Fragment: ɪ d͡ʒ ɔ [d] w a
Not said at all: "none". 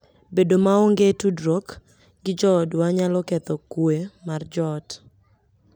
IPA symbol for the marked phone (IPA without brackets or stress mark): d